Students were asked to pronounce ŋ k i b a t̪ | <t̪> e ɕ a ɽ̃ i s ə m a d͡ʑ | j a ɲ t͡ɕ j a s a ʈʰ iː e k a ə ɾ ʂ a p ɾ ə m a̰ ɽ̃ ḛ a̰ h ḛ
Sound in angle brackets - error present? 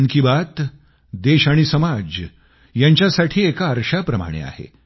yes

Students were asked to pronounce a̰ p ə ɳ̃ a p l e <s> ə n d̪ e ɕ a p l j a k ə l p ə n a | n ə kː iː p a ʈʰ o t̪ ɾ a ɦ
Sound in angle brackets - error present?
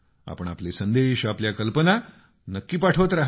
no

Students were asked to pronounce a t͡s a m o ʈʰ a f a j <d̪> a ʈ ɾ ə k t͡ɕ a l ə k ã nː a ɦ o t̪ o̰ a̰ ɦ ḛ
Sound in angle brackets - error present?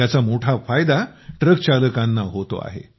no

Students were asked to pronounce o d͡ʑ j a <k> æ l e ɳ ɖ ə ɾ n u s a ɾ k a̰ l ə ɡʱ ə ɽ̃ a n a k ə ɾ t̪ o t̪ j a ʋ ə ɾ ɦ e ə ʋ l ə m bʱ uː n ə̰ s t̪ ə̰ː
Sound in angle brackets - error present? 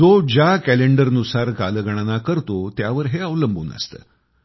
no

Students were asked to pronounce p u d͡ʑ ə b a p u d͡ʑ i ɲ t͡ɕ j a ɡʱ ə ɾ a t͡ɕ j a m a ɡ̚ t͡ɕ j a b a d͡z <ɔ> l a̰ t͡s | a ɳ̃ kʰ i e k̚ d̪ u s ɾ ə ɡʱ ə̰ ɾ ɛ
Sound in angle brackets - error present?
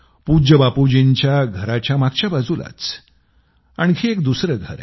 yes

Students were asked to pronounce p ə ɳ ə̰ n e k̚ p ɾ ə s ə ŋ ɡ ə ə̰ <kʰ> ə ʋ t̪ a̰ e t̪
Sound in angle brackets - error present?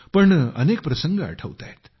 yes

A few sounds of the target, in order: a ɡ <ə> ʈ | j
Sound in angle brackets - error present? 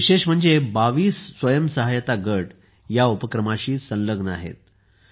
no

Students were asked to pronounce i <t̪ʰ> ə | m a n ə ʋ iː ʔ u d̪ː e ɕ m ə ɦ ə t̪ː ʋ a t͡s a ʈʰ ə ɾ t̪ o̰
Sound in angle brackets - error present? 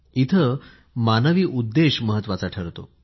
no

